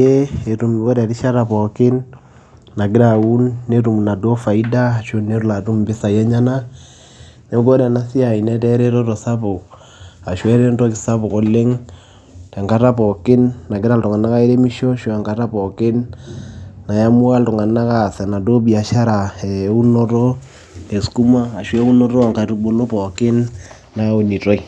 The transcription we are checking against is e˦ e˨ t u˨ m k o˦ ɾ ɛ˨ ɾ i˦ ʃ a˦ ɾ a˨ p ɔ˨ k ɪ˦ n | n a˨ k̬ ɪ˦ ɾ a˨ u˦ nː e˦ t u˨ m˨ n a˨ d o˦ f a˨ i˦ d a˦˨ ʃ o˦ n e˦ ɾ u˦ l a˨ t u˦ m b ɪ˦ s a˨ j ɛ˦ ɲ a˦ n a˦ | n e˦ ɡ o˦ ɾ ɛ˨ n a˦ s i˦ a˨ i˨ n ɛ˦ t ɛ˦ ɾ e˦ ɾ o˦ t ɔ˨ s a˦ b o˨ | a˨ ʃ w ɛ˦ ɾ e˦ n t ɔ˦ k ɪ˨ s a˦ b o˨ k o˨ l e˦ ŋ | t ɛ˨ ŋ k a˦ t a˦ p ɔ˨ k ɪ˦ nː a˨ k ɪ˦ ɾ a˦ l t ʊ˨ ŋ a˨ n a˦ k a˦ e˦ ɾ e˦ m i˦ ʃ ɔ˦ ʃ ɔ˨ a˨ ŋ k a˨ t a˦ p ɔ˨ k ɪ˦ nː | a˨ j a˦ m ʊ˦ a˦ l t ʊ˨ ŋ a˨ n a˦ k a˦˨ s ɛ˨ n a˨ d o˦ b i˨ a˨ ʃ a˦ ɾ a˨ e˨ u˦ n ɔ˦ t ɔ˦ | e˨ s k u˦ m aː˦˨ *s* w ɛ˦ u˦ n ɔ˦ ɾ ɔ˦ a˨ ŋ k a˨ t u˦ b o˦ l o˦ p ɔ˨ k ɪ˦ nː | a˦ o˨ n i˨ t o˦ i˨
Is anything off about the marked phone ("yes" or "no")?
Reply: yes